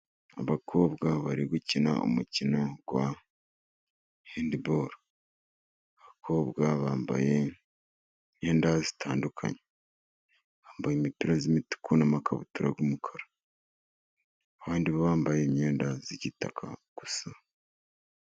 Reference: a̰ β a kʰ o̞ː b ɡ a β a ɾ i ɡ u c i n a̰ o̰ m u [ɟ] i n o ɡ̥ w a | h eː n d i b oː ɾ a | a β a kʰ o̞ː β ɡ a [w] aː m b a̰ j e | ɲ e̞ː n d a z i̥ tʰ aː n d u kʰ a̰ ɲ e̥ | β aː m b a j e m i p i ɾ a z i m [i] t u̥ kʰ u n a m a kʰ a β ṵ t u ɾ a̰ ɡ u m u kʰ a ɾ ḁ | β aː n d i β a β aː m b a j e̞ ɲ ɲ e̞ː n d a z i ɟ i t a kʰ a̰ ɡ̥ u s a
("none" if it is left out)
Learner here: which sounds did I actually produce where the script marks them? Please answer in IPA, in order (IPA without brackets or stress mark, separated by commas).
c, β, i